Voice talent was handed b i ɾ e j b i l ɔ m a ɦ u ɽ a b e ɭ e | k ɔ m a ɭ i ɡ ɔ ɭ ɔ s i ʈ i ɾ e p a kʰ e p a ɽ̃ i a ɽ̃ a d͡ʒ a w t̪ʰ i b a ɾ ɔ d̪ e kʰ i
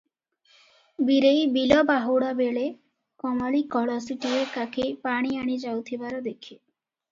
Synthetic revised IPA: b i ɾ e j b i l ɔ b a ɦ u ɽ a b e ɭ e | k ɔ m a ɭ i k ɔ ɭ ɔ s i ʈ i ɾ e k a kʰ e p a ɽ̃ i a ɽ̃ i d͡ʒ a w t̪ʰ i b a ɾ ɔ d̪ e kʰ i